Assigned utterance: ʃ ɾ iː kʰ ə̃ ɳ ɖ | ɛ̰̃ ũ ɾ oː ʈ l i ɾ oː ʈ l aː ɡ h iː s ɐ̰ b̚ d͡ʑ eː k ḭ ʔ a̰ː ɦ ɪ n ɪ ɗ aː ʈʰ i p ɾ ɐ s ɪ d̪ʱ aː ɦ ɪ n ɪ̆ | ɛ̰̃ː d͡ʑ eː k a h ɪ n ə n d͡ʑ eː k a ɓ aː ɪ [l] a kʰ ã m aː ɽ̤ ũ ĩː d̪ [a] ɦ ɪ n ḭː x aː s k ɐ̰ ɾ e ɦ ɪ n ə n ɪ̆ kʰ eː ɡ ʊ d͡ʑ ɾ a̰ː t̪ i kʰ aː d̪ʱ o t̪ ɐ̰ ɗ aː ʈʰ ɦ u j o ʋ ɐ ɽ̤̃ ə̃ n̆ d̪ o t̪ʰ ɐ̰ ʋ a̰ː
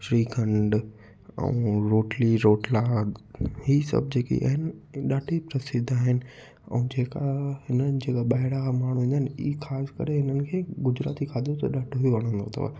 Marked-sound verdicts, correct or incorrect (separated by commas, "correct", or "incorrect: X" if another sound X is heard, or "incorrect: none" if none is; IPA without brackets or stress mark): incorrect: ɽ, correct